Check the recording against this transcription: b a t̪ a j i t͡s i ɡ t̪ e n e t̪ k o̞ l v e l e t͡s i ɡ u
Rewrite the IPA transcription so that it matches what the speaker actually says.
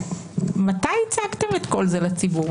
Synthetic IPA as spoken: m a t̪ a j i t͡s a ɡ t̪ e m e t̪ k o̞ l z e l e t͡s i b u